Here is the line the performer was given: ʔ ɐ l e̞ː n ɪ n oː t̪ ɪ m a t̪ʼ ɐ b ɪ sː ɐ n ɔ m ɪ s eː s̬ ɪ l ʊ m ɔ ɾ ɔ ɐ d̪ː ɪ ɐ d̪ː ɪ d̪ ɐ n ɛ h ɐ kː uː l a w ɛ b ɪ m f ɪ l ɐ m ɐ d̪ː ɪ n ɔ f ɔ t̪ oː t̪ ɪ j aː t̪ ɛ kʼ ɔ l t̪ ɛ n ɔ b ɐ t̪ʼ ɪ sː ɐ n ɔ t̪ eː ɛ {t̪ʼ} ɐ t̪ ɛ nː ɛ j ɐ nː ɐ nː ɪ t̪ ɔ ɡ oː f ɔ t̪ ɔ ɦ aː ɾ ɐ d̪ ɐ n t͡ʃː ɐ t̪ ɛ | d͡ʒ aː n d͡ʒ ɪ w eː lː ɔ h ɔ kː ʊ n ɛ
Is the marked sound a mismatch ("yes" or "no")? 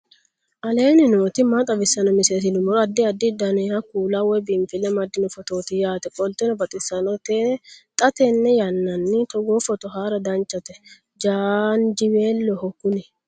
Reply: no